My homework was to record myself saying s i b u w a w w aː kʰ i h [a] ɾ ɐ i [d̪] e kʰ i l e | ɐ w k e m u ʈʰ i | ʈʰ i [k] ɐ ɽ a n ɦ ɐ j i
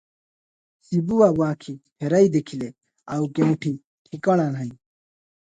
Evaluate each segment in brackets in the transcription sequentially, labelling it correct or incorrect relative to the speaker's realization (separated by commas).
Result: incorrect, correct, correct